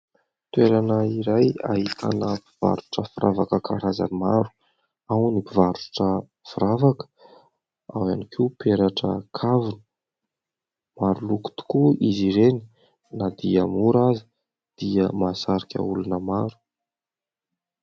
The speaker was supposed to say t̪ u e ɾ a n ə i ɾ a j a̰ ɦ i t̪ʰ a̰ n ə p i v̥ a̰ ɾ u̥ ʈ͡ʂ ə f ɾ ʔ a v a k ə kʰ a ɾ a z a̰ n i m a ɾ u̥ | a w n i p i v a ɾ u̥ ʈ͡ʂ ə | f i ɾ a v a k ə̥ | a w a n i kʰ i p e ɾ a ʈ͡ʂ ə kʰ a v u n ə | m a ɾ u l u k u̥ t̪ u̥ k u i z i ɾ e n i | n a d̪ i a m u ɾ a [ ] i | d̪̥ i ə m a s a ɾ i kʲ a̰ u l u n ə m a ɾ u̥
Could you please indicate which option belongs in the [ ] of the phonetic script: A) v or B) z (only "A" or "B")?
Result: B